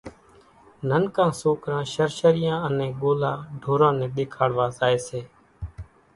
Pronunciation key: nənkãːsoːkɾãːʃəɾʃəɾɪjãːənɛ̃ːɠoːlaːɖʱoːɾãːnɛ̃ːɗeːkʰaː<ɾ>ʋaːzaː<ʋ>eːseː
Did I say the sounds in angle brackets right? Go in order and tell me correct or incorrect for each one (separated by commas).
incorrect, incorrect